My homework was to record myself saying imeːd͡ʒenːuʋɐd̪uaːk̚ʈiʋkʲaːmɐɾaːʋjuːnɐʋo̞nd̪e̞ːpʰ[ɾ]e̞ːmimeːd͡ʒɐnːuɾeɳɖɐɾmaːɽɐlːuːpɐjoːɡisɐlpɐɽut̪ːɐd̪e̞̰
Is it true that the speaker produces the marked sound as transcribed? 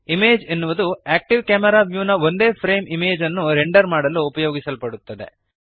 yes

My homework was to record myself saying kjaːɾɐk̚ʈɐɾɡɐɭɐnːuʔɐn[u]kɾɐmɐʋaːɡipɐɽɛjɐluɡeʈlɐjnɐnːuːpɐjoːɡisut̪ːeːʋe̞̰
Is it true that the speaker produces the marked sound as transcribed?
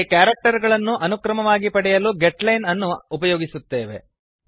yes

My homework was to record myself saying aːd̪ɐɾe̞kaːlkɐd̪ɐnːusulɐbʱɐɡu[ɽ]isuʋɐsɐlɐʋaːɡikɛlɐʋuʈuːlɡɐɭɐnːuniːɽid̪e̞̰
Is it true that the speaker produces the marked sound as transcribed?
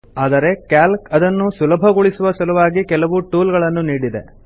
no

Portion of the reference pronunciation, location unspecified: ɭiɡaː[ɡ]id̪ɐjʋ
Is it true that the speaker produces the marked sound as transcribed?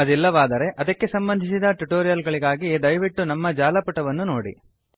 yes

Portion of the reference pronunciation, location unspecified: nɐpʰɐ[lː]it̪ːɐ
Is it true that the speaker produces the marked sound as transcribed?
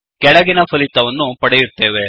no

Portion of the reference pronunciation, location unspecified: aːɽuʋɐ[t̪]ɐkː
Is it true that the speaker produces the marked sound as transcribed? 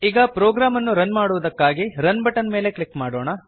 no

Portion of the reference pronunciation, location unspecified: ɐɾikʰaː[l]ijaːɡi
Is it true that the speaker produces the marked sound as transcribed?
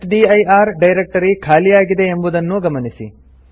yes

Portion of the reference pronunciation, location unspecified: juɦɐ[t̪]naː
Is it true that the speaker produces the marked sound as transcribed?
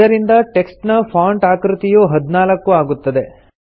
no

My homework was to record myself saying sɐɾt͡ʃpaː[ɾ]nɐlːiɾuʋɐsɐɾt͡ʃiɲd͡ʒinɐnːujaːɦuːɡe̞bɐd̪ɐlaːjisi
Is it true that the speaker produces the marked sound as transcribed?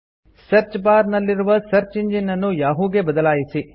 yes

